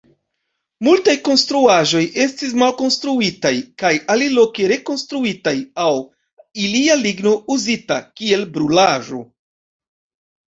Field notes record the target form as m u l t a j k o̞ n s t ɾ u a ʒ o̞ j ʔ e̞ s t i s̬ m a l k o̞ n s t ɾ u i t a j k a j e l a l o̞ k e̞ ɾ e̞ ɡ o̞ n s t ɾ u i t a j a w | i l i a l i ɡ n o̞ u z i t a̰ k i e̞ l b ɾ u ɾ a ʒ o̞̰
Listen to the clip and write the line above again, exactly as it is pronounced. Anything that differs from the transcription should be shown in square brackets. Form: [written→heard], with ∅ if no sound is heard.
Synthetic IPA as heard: m u l t a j k o̞ n s t ɾ u a ʒ o̞ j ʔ e̞ s t i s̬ m a l k o̞ n s t ɾ u i t a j k a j [e→a] l [a→i] l o̞ k e̞ ɾ e̞ [ɡ→k] o̞ n s t ɾ u i t a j a w | i l i a l i ɡ n o̞ u z i t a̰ k i e̞ l b ɾ u [ɾ→l] a ʒ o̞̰